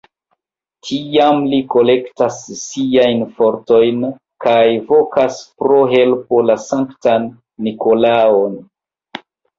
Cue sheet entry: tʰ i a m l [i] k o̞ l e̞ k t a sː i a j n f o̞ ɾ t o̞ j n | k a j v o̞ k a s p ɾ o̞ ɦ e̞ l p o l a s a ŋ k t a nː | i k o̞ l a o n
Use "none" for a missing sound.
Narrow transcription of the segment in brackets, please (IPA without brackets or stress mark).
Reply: i